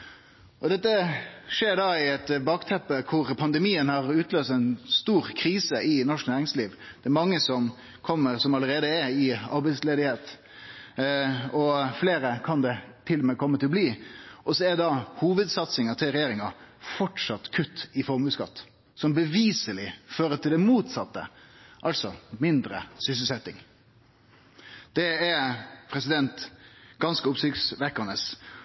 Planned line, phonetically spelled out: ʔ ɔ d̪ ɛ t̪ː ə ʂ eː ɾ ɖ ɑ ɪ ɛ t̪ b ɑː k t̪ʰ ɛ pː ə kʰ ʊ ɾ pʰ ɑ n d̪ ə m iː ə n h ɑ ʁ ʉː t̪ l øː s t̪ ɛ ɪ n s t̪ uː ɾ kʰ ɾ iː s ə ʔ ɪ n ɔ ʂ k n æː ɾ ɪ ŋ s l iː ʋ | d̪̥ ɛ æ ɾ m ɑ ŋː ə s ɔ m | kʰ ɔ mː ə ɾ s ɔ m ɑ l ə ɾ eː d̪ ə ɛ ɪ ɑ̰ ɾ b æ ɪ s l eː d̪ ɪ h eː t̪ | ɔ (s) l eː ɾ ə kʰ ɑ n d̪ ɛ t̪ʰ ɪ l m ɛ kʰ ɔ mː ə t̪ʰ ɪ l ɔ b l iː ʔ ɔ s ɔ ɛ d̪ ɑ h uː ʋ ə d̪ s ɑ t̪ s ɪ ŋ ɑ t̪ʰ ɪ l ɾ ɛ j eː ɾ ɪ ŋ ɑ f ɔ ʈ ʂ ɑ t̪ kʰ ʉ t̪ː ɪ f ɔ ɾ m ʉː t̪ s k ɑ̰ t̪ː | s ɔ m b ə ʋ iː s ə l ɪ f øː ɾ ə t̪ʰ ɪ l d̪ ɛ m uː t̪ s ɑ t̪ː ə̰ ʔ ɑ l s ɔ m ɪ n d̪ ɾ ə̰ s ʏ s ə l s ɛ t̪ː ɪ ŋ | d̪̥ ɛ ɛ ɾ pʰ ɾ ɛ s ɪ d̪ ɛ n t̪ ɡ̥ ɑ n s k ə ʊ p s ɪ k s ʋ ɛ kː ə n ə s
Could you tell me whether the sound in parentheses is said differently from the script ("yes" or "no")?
yes